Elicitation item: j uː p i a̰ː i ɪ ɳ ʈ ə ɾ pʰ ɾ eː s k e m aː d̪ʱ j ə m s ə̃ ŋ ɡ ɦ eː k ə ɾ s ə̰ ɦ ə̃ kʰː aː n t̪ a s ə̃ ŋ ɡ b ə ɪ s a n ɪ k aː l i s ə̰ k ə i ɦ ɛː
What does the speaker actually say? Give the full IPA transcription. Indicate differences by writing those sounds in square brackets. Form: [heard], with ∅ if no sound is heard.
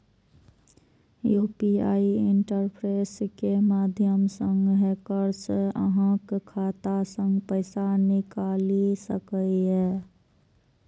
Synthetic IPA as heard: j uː p i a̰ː i ɪ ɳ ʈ ə ɾ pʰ ɾ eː s k e m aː d̪ʱ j ə m s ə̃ ŋ ɡ ɦ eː k ə ɾ s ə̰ ɦ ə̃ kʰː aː [∅] t̪ a s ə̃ ŋ ɡ [p] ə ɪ s a n ɪ k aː l i s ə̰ k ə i ɦ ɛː